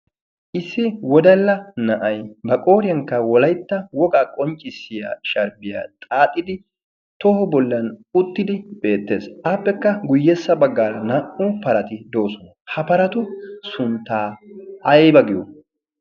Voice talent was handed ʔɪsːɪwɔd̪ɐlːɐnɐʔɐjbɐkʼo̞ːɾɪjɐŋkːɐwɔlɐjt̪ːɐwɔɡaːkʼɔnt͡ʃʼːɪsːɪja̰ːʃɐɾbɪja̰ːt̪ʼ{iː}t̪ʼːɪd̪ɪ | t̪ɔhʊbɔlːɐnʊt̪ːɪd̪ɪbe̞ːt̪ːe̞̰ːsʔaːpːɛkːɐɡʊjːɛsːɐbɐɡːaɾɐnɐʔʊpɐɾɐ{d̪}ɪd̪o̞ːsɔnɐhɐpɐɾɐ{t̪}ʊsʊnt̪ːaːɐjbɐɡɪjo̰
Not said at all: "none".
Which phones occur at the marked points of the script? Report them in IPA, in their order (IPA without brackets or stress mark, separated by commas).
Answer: aː, t̪, t̪